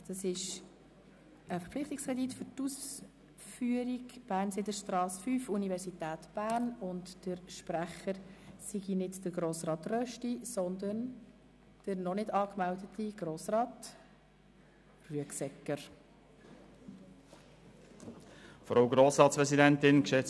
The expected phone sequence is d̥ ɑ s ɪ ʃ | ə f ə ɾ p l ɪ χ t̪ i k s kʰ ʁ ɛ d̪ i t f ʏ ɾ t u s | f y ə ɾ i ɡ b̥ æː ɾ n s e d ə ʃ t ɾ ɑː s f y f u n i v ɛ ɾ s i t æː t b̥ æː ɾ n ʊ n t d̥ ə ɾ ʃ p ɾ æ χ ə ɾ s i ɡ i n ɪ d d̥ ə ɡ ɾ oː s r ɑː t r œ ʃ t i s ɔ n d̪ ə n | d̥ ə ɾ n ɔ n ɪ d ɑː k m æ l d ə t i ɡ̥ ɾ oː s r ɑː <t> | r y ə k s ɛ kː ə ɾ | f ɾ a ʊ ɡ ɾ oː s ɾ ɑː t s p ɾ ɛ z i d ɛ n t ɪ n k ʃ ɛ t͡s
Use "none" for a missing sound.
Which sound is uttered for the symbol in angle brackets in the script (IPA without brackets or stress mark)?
t